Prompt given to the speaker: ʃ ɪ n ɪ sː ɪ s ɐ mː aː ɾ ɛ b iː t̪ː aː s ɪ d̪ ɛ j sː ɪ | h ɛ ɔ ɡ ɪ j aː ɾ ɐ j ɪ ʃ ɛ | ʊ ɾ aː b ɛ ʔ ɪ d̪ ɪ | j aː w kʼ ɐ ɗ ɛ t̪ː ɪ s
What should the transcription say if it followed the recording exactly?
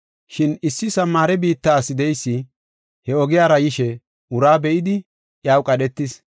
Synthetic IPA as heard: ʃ ɪ n ɪ sː ɪ s ɐ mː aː ɾ ɛ b iː t̪ː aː s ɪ d̪ ɛ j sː ɪ | h ɛ ɔ ɡ ɪ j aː ɾ ɐ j ɪ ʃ ɛ | ʊ ɾ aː b ɛ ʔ ɪ d̪ ɪ | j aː w kʼ ɐ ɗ ɛ t̪ː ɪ s